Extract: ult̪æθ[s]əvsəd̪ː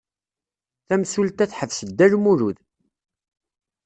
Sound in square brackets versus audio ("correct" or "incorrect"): incorrect